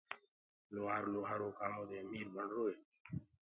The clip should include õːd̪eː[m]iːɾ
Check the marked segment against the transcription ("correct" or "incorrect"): correct